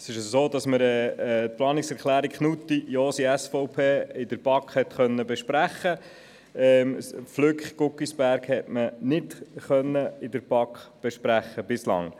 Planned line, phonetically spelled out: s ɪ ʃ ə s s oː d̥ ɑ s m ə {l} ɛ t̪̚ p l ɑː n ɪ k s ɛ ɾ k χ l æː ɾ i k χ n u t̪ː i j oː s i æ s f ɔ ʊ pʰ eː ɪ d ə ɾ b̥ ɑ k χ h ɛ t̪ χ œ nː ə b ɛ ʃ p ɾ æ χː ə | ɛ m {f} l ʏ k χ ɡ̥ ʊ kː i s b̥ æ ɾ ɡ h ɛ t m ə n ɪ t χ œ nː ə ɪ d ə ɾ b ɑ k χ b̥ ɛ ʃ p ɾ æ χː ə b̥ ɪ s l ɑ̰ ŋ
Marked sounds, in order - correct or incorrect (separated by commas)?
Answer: incorrect, correct